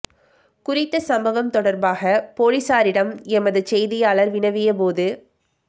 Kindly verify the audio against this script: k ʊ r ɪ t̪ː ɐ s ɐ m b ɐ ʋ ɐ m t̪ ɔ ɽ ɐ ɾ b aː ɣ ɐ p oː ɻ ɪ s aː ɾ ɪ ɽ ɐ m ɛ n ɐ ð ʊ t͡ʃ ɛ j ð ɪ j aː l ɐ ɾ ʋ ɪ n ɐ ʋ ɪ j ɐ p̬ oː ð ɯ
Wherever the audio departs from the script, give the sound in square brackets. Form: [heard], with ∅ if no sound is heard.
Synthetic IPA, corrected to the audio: k ʊ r ɪ t̪ː ɐ s ɐ m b ɐ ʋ ɐ m t̪ ɔ ɽ ɐ ɾ b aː ɣ ɐ p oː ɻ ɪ s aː ɾ ɪ ɽ ɐ m ɛ [m] ɐ ð [ɯ] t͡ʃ ɛ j ð ɪ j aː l ɐ ɾ ʋ ɪ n ɐ ʋ ɪ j ɐ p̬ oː ð ɯ